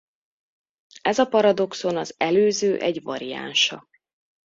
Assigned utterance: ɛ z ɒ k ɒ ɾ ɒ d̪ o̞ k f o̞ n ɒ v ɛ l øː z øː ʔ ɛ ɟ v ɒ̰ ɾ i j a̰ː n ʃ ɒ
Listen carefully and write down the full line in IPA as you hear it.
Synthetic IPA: ɛ z ɒ p ɒ ɾ ɒ d̪ o̞ k s o̞ n ɒ z ɛ l øː z øː ʔ ɛ ɟ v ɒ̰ ɾ i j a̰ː n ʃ ɒ